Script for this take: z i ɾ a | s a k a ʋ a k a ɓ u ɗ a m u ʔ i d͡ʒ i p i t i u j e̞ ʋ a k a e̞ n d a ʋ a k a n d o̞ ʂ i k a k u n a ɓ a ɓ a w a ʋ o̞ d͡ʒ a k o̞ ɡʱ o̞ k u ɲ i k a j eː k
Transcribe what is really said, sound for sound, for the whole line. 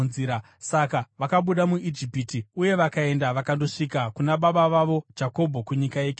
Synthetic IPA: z i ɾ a | s a k a ʋ a k a ɓ u ɗ a m u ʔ i d͡ʒ i p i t i u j e̞ ʋ a k a e̞ n d a ʋ a k a n d o̞ ʂ i k a k u n a ɓ a ɓ a ʋ a ʋ o̞ d͡ʒ a k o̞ bʱ o̞ k u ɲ i k a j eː k